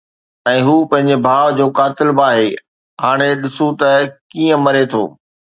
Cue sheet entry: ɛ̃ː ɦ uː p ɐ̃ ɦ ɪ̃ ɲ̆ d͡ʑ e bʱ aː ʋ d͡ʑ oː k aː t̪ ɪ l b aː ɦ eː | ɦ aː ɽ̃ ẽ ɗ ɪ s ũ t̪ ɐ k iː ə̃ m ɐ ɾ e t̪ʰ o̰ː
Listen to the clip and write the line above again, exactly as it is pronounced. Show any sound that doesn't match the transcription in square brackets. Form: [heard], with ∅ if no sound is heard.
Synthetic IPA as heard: ɛ̃ː ɦ uː p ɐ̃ ɦ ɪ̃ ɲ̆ d͡ʑ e bʱ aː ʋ d͡ʑ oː k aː t̪ ɪ l b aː ɦ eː | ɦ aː ɽ̃ [e] ɗ ɪ s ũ t̪ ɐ k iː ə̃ m ɐ ɾ e t̪ʰ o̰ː